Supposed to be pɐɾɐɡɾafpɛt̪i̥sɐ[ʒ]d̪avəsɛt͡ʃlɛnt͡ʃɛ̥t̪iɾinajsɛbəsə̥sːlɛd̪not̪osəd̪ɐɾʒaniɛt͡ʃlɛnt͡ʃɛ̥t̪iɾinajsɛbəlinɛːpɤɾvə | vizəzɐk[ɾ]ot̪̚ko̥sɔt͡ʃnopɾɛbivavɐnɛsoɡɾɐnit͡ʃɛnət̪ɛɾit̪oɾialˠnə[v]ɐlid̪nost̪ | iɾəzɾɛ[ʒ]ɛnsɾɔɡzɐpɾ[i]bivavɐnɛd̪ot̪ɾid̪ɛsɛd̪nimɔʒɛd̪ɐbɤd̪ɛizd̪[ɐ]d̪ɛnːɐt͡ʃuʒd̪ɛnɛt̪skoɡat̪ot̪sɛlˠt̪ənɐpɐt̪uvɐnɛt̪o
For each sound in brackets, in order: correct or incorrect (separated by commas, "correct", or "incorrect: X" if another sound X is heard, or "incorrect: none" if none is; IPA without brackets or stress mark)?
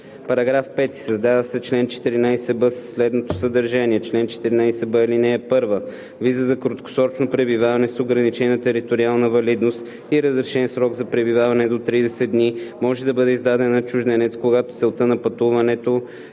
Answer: incorrect: z, correct, correct, incorrect: ʃ, incorrect: ɛ, incorrect: a